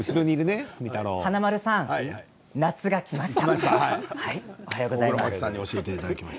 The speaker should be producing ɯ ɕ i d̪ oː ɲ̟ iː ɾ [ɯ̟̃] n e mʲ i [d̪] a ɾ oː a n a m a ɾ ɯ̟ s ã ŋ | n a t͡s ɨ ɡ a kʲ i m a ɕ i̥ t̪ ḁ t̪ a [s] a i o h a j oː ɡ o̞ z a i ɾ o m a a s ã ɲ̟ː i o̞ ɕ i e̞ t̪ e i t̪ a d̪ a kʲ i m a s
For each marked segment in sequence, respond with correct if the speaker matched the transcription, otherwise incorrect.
incorrect: ɯ̟, incorrect: t̪, incorrect: h

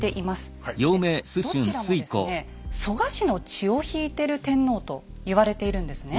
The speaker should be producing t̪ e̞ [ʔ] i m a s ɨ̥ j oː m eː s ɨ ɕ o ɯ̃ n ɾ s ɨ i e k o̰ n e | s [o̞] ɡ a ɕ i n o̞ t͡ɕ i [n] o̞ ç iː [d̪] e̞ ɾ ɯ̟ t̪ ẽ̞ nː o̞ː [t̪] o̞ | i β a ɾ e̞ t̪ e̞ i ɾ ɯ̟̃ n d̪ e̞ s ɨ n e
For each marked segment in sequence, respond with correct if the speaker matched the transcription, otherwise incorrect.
correct, correct, incorrect: none, incorrect: t̪, correct

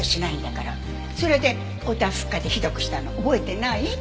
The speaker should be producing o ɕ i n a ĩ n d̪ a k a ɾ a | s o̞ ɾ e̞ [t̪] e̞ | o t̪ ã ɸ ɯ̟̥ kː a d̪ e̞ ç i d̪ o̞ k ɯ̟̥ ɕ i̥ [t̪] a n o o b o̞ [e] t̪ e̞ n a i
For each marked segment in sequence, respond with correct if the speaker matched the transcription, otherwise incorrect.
incorrect: d̪, correct, correct

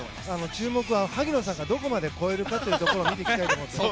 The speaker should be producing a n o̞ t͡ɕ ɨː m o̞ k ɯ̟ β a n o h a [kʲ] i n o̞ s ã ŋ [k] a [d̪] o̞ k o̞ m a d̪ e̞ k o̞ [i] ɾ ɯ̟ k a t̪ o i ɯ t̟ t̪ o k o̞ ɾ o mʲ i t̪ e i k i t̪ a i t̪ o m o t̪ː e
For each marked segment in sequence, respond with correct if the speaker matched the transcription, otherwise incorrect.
incorrect: ɡʲ, incorrect: ɡ, correct, incorrect: e

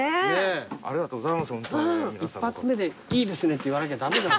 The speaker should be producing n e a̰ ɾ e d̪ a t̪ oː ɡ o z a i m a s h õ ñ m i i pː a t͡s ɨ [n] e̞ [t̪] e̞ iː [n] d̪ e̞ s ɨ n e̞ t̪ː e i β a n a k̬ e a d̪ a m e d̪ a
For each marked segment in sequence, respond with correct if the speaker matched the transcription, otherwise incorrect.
incorrect: m, incorrect: d̪, incorrect: none

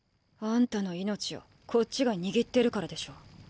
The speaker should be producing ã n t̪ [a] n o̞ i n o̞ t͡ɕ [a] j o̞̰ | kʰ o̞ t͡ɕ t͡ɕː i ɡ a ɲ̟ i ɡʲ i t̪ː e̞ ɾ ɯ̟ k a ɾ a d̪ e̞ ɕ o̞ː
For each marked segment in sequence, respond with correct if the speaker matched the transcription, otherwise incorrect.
correct, incorrect: i

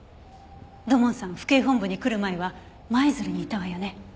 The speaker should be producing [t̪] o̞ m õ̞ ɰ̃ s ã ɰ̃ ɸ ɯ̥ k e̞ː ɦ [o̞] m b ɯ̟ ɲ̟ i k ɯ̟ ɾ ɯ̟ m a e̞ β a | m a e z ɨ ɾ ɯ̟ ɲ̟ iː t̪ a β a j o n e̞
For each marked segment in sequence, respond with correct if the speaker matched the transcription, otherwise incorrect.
incorrect: d̪, incorrect: õ̞

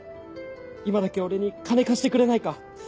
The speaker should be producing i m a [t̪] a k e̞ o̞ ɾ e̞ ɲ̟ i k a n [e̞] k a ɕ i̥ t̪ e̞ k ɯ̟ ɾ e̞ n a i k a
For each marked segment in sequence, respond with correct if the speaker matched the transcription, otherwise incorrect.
incorrect: d̪, correct

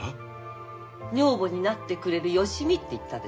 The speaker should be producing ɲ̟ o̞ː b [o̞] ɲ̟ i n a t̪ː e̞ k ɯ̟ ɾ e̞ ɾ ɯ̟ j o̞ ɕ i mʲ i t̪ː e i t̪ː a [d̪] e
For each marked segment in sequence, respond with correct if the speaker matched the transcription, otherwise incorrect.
correct, correct

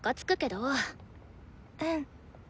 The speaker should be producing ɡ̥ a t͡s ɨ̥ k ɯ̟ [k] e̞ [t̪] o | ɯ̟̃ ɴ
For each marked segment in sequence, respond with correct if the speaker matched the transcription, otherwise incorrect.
correct, incorrect: d̪

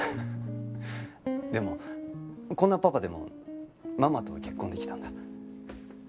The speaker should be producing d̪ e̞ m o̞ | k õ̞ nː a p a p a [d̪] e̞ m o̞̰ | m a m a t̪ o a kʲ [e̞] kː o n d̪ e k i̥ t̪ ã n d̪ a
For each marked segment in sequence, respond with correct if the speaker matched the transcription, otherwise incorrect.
correct, correct

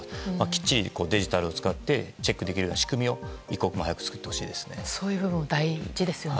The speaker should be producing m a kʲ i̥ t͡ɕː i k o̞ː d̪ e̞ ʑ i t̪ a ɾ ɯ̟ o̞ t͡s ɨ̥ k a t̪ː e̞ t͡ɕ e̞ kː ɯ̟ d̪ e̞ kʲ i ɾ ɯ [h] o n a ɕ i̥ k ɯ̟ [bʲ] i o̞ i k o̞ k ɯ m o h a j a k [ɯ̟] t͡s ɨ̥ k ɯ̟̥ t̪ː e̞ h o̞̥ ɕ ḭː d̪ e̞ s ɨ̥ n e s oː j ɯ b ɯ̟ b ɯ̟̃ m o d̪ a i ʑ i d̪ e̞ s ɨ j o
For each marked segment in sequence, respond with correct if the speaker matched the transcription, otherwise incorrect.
incorrect: none, incorrect: mʲ, correct

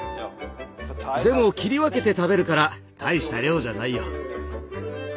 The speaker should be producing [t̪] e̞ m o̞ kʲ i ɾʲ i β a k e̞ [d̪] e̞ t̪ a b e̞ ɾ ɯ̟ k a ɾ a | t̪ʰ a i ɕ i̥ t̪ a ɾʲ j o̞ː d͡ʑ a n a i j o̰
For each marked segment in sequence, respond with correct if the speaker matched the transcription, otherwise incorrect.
incorrect: d̪, incorrect: t̪

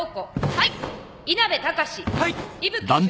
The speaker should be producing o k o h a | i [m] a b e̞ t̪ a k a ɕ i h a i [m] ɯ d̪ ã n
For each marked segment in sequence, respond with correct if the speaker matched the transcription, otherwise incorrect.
incorrect: n, incorrect: b

